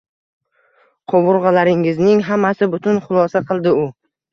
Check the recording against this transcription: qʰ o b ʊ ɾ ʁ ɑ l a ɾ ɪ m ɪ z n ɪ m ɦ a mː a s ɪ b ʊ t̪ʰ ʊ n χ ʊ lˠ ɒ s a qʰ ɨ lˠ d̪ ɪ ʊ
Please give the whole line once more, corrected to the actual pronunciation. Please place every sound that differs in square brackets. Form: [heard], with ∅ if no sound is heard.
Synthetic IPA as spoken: qʰ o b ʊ ɾ ʁ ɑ l a ɾ ɪ [ŋ] ɪ z n ɪ [ŋ] ɦ a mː a s ɪ b ʊ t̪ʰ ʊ n χ ʊ lˠ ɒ s a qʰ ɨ lˠ d̪ ɪ ʊ